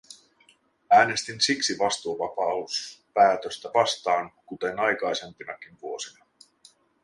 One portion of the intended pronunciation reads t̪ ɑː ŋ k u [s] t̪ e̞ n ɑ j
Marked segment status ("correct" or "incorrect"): incorrect